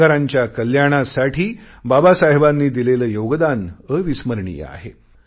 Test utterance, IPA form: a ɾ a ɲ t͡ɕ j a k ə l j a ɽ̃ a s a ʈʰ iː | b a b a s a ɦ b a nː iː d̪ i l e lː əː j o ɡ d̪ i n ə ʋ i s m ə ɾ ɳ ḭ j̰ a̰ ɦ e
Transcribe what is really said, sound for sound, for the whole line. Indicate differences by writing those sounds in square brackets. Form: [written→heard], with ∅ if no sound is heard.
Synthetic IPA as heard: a ɾ a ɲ t͡ɕ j a k ə l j a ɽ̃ a s a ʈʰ iː | b a b a s a ɦ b a nː iː d̪ i l e [lː→l] əː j o ɡ d̪ [i→a] n ə ʋ i s m ə ɾ ɳ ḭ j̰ a̰ ɦ e

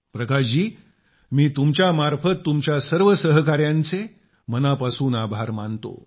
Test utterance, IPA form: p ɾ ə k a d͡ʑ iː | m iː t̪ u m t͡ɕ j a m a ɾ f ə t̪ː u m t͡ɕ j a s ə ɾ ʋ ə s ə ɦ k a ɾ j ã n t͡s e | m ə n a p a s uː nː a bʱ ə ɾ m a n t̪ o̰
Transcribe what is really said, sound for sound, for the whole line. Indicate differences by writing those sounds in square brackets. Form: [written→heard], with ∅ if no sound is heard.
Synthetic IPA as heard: p ɾ ə k a d͡ʑ iː | m iː t̪ u m t͡ɕ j a m a ɾ f ə t̪ː u m t͡ɕ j a s ə ɾ ʋ ə s ə ɦ k a ɾ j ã n t͡s e | m ə n a p a s uː [nː→n] a bʱ [ə→a] ɾ m a n t̪ o̰

